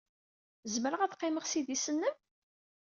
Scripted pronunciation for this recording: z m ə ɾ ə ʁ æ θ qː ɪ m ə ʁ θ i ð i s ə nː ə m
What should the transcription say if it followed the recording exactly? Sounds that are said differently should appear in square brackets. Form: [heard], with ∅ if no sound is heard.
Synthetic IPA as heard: z m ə ɾ ə ʁ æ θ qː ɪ m ə ʁ [s] i ð i s ə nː ə m